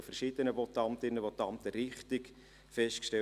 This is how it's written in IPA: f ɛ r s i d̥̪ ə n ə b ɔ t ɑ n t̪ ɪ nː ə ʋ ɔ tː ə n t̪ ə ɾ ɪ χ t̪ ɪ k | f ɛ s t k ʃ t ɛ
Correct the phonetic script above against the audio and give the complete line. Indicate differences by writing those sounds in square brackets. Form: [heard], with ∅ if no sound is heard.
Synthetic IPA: f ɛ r [ʃ] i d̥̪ ə n ə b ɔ t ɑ n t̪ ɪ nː ə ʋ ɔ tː [ɑ] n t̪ ə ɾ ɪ χ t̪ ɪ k | f ɛ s t k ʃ t ɛ